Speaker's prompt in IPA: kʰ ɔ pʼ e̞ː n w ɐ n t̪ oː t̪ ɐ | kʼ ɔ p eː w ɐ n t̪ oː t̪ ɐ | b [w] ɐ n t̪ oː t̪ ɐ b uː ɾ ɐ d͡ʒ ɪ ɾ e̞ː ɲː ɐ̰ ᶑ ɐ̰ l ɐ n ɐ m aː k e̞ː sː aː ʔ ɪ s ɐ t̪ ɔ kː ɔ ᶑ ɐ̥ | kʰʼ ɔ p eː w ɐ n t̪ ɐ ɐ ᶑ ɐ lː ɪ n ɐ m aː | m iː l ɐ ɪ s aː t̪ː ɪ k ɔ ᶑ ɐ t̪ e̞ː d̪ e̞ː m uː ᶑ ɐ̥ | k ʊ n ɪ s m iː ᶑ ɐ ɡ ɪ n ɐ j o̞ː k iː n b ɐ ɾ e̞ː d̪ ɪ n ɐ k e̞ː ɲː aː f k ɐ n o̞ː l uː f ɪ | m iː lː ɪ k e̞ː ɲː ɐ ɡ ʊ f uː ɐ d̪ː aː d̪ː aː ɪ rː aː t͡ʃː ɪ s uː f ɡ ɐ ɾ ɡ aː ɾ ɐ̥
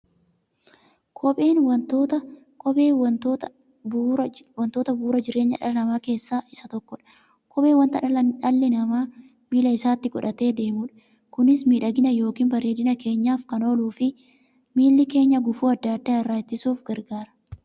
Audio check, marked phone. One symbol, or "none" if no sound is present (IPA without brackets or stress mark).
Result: w